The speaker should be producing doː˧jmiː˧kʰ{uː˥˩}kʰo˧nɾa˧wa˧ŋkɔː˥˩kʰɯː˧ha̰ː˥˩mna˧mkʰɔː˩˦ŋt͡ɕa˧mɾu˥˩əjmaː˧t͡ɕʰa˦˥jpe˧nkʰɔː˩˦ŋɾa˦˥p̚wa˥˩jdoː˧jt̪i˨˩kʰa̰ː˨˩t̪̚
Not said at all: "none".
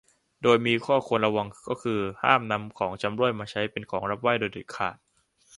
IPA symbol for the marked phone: ɔː˥˩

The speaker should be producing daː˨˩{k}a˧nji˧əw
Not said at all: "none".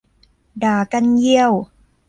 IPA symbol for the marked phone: k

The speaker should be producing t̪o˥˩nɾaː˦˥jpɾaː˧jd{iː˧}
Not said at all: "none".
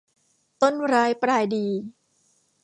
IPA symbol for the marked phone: iː˧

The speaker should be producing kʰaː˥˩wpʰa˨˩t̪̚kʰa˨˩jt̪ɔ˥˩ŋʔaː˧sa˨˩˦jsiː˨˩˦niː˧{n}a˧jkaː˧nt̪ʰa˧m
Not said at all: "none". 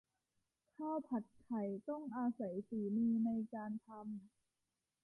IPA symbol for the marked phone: n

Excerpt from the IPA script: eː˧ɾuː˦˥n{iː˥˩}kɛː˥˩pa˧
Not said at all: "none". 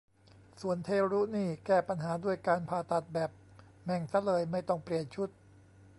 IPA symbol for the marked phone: iː˥˩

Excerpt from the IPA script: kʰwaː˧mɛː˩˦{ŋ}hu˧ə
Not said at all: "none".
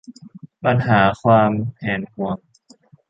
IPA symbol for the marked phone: n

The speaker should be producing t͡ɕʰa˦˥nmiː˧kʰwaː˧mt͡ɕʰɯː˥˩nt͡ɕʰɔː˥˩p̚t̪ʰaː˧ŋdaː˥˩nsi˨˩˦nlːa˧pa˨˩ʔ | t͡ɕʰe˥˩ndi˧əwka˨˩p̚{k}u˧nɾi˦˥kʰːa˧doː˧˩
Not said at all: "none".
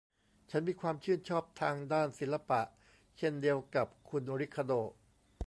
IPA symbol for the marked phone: kʰ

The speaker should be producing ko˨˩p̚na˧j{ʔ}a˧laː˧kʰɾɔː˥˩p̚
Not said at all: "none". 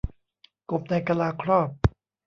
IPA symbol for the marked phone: k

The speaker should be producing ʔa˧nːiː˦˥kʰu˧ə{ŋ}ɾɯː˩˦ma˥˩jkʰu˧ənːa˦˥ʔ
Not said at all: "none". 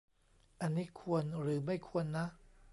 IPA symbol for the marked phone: n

